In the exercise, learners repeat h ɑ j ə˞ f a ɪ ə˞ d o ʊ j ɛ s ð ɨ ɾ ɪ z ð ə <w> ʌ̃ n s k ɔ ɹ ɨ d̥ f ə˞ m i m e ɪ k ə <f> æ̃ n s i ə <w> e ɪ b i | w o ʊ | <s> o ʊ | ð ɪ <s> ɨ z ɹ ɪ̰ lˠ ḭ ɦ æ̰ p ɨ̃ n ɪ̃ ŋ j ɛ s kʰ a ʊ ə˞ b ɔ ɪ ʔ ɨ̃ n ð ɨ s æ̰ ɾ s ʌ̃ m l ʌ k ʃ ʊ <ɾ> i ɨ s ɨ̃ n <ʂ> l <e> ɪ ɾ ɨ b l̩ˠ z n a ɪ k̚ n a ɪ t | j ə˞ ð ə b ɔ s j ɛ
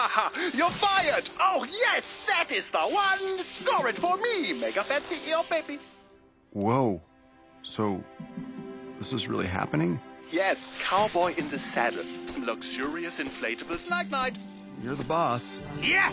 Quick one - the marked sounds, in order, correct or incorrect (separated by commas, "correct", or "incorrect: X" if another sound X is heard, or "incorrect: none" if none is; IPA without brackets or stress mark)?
correct, correct, incorrect: b, correct, correct, incorrect: ɹ, incorrect: f, correct